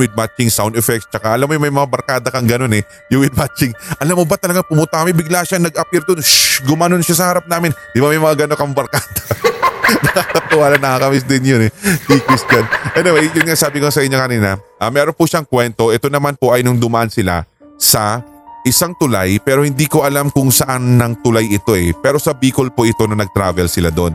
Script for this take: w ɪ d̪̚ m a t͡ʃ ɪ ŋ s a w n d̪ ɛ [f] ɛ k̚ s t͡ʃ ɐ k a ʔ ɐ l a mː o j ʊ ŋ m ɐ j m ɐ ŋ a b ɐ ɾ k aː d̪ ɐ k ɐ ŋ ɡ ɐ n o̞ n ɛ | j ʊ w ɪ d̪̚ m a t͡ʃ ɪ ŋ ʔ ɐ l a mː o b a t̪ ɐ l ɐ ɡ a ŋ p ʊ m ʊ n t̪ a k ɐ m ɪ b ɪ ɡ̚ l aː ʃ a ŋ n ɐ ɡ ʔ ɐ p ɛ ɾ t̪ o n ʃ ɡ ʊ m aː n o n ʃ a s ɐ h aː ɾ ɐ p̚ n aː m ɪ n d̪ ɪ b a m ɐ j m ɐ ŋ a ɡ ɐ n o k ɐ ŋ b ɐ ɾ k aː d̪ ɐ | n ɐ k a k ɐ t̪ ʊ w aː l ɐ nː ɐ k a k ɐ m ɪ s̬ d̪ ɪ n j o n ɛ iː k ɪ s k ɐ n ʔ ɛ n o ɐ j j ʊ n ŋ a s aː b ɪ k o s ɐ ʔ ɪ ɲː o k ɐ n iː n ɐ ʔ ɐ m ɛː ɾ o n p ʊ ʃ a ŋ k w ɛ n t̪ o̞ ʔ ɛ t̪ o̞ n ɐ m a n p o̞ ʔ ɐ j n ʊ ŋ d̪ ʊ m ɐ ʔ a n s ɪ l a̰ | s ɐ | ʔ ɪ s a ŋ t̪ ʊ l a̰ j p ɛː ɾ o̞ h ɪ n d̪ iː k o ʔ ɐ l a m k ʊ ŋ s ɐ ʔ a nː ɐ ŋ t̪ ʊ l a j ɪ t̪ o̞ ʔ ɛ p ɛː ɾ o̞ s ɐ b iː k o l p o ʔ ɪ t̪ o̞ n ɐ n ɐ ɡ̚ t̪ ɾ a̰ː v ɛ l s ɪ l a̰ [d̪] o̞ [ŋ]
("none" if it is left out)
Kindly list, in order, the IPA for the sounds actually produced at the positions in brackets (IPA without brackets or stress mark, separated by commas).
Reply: f, d̪, n